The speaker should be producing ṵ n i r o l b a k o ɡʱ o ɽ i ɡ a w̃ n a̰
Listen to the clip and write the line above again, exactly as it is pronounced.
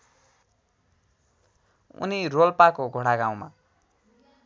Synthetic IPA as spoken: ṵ n i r o l p a k o ɡʱ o ɽ a ɡ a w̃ m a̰